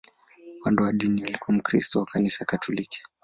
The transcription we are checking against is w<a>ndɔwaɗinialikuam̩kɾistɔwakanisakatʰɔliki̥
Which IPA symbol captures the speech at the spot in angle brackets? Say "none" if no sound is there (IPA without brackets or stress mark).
a